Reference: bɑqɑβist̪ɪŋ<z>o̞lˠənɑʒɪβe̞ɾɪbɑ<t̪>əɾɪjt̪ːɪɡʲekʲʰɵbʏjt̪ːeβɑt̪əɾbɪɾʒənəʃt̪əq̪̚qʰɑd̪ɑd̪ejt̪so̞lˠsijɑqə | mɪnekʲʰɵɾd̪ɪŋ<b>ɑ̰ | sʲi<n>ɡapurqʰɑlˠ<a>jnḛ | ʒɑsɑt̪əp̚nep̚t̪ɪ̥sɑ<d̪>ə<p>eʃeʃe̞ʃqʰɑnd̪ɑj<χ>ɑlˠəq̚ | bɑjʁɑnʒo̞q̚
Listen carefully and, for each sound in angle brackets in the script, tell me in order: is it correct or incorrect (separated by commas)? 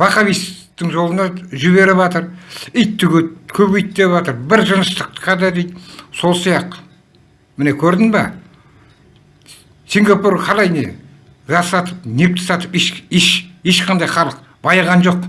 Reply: incorrect, correct, correct, incorrect, incorrect, incorrect, correct, correct